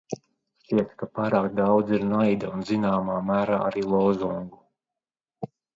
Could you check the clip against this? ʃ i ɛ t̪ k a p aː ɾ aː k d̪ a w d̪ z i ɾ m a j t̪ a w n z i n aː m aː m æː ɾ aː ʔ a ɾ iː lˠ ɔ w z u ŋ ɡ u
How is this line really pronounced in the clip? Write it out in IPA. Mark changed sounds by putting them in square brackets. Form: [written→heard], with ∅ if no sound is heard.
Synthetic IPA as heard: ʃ i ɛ t̪ k a p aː ɾ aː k d̪ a w d̪ z i ɾ [m→n] a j [t̪→d̪] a [w→u] n z i n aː m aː m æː ɾ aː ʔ a ɾ iː lˠ ɔ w z u ŋ ɡ u